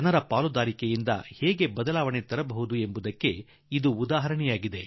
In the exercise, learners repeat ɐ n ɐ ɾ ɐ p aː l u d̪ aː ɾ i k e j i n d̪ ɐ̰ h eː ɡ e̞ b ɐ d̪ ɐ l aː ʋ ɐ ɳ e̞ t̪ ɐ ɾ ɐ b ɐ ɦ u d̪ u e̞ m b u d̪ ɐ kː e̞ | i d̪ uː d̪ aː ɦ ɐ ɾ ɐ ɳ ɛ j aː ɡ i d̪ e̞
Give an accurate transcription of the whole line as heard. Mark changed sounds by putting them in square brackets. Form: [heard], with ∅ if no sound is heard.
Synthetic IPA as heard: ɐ n ɐ ɾ ɐ p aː l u d̪ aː ɾ i k e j i n d̪ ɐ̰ h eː ɡ e̞ b ɐ d̪ ɐ l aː ʋ ɐ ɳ e̞ t̪ ɐ ɾ ɐ b ɐ ɦ u d̪ u e̞ m b u d̪ ɐ kː e̞ | i d̪ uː d̪ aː ɦ ɐ ɾ ɐ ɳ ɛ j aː ɡ i d̪ e̞

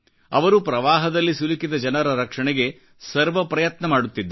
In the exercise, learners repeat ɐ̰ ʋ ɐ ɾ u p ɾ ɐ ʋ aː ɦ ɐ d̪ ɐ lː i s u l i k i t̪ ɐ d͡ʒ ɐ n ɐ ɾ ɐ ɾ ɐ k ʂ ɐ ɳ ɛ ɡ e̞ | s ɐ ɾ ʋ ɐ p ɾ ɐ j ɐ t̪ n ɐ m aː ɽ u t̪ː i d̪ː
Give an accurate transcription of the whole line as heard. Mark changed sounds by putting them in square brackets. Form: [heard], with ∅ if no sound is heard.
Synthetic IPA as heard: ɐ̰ ʋ ɐ ɾ u p ɾ ɐ ʋ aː ɦ ɐ d̪ ɐ lː i s u l i k i [d̪] ɐ d͡ʒ ɐ n ɐ ɾ ɐ ɾ ɐ k ʂ ɐ ɳ ɛ ɡ e̞ | s ɐ ɾ ʋ ɐ p ɾ ɐ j ɐ t̪ n ɐ m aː ɽ u t̪ː i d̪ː

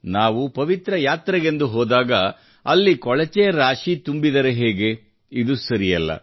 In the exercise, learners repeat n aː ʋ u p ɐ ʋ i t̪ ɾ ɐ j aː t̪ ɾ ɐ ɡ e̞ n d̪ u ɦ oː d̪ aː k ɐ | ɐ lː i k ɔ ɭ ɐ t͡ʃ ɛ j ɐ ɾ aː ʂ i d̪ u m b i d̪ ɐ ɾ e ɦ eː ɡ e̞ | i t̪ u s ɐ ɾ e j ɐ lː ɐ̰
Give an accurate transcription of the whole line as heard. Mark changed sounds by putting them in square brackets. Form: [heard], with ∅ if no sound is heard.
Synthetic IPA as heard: n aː ʋ u p ɐ ʋ i t̪ ɾ ɐ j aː t̪ ɾ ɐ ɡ e̞ n d̪ u ɦ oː d̪ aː [ɡ] ɐ | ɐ lː i k ɔ ɭ ɐ t͡ʃ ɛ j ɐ ɾ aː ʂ i [t̪] u m b i d̪ ɐ ɾ e ɦ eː ɡ e̞ | i [d̪] u s ɐ ɾ [i] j ɐ lː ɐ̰

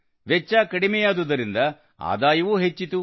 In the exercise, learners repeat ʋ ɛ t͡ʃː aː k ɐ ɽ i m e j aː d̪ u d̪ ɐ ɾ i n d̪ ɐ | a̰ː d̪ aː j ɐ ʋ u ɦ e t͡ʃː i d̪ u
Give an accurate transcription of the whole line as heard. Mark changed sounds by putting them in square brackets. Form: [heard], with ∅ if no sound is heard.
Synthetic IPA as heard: ʋ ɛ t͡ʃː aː k ɐ ɽ i m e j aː d̪ u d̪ ɐ ɾ i n d̪ ɐ | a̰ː d̪ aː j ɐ ʋ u ɦ e t͡ʃː i [t̪] u

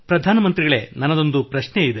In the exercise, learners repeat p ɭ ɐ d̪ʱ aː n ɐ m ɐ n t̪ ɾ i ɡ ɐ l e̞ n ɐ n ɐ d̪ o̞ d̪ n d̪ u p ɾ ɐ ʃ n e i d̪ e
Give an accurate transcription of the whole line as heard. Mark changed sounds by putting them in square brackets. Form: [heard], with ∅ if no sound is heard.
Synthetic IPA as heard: p [ɾ] ɐ d̪ʱ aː n ɐ m ɐ n t̪ ɾ i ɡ ɐ [ɭ] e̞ n ɐ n ɐ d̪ o̞ [∅] n d̪ u p ɾ ɐ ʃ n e i d̪ e

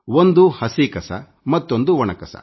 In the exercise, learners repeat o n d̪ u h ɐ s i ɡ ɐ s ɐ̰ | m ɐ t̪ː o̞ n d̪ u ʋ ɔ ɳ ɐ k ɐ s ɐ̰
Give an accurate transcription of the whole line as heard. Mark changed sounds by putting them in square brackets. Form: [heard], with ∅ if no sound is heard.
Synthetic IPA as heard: o n d̪ u h ɐ s i [k] ɐ s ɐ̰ | m ɐ t̪ː o̞ n d̪ u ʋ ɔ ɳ ɐ k ɐ s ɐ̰

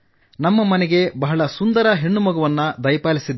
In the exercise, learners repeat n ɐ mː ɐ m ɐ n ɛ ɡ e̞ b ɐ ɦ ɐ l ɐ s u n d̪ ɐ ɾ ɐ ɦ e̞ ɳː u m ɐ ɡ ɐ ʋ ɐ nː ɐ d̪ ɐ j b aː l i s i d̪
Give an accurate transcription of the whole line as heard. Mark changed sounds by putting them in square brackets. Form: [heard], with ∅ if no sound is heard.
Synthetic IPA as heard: n ɐ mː ɐ m ɐ n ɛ ɡ e̞ b ɐ ɦ ɐ [ɭ] ɐ s u n d̪ ɐ ɾ ɐ ɦ e̞ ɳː u m ɐ ɡ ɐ ʋ ɐ nː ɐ d̪ ɐ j [p] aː l i s i d̪

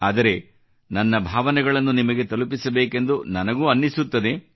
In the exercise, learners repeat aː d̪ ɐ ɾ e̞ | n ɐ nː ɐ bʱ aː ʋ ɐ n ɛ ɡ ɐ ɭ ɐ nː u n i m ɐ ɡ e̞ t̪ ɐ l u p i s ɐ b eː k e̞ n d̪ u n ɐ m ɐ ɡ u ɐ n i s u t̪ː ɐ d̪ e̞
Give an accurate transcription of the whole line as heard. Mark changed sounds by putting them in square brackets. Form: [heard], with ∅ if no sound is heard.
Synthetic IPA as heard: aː d̪ ɐ ɾ e̞ | n ɐ nː ɐ bʱ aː ʋ ɐ n ɛ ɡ ɐ ɭ ɐ nː u n i m ɐ ɡ e̞ t̪ ɐ l u p i s ɐ b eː k e̞ n d̪ u n ɐ [n] ɐ ɡ u ɐ [nː] i s u t̪ː ɐ d̪ e̞

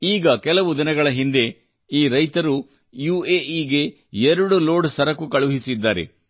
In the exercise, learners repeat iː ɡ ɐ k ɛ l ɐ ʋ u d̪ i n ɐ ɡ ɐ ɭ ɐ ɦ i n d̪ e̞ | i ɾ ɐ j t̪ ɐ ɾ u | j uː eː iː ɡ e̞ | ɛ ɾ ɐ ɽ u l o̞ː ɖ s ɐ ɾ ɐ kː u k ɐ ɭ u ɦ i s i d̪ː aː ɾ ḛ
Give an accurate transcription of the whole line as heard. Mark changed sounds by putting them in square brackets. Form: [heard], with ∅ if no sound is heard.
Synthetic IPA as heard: iː ɡ ɐ k ɛ l ɐ ʋ u d̪ i n ɐ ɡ ɐ ɭ ɐ ɦ i n d̪ e̞ | [iː] ɾ ɐ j t̪ ɐ ɾ u | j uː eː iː ɡ e̞ | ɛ ɾ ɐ ɽ u l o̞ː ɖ s ɐ ɾ ɐ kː u k ɐ ɭ u ɦ i s i d̪ː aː ɾ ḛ

